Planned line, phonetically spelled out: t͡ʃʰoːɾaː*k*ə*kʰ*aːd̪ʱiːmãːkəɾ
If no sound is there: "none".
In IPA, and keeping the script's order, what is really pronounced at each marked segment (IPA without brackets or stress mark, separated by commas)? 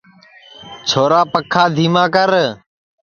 p, kʰ